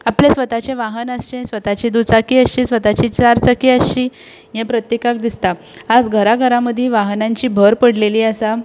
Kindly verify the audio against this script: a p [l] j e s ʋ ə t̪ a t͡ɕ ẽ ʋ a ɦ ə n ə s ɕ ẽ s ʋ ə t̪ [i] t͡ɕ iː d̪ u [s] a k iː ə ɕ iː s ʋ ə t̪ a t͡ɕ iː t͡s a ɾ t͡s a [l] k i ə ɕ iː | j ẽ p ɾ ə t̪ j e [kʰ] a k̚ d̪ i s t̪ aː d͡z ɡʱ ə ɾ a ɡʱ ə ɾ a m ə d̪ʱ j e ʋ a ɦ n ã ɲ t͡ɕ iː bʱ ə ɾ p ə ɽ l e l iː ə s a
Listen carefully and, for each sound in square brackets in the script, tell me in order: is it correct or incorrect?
correct, incorrect: a, incorrect: t͡s, incorrect: none, incorrect: k

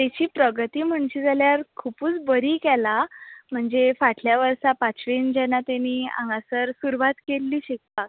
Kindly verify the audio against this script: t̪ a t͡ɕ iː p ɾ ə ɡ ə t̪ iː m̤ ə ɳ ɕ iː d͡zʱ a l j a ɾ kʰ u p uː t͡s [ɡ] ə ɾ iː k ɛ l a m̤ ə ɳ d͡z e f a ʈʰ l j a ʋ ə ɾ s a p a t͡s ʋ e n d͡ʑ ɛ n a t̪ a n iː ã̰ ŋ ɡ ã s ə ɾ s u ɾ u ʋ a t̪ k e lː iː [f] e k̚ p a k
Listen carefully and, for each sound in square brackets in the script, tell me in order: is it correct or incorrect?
incorrect: b, incorrect: ɕ

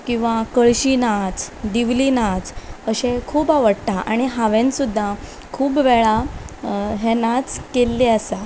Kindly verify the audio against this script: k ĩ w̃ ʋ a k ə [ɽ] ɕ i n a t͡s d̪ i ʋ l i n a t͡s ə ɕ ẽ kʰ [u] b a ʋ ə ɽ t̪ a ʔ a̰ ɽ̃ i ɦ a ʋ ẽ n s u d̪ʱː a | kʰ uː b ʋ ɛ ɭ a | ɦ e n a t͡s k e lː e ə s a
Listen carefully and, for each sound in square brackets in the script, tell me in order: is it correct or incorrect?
incorrect: ɭ, incorrect: uː

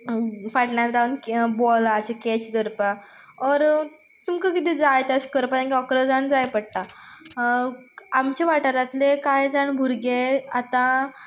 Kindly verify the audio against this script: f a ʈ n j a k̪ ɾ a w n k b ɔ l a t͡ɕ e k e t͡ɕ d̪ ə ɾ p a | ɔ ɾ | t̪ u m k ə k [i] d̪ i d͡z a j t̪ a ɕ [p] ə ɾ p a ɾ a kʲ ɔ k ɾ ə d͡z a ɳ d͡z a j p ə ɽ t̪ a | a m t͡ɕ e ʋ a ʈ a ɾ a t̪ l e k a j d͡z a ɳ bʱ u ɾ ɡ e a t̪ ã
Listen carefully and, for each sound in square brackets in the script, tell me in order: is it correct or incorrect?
correct, incorrect: k

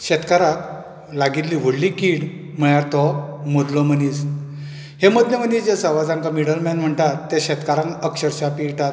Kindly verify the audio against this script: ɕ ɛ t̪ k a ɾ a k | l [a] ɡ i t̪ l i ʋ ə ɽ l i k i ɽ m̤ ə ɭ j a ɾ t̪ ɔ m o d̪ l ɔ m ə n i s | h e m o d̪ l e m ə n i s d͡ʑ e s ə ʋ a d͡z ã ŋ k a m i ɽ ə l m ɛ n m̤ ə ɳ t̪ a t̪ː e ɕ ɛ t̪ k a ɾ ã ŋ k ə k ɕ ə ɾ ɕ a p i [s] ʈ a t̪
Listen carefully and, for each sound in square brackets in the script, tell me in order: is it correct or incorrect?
correct, incorrect: none

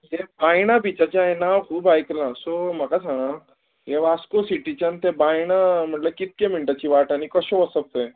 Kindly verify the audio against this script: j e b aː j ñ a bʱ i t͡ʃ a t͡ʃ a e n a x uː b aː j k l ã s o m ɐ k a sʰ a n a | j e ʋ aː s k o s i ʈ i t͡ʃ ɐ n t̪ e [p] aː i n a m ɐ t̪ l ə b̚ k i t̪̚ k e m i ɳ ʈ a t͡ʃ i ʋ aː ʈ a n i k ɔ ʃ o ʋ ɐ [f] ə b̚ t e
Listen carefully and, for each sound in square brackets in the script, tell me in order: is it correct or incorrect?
incorrect: b, incorrect: s

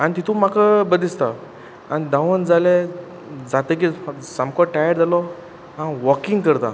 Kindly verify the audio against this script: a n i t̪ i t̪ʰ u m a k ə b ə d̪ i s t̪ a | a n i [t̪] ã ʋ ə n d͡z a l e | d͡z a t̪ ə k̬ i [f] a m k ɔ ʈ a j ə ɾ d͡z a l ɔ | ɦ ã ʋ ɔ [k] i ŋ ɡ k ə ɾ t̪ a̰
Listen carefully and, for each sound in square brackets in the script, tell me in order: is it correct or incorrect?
incorrect: d̪, incorrect: s, correct

